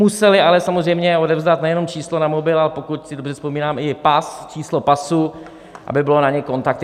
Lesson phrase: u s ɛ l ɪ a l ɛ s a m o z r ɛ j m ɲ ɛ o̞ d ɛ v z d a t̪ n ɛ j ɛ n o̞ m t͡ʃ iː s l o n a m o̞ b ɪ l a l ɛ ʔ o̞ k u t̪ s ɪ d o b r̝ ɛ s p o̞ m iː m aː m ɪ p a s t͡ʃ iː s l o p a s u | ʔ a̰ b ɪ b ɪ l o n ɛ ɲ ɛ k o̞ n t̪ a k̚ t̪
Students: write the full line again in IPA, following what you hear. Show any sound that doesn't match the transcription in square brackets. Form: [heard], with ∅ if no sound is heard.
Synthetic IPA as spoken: u s ɛ l ɪ a l ɛ s a m o z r ɛ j m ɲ ɛ o̞ d ɛ v z d a t̪ n ɛ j ɛ n o̞ m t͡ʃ iː s l o n a m o̞ b ɪ l a l ɛ [p] o̞ k u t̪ s ɪ d o b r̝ ɛ s p o̞ m iː [n] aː m ɪ p a s t͡ʃ iː s l o p a s u | ʔ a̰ b ɪ b ɪ l o n [a] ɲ ɛ k o̞ n t̪ a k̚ t̪